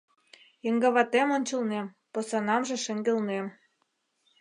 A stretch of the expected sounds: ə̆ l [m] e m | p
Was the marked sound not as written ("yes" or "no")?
yes